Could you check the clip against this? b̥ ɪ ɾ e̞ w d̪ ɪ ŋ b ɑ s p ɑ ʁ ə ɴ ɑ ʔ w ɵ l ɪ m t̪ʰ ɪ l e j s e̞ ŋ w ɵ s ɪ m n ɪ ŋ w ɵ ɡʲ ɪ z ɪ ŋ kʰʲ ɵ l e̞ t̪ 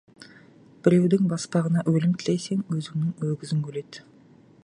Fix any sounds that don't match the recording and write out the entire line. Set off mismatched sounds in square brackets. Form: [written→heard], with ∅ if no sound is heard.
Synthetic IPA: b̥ ɪ ɾ e̞ w d̪ ɪ ŋ b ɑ s p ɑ ʁ ə [ɴ→n] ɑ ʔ w ɵ l ɪ m t̪ʰ ɪ l e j s e̞ ŋ w ɵ [s→z] ɪ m n ɪ ŋ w ɵ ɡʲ ɪ z ɪ ŋ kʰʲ ɵ l e̞ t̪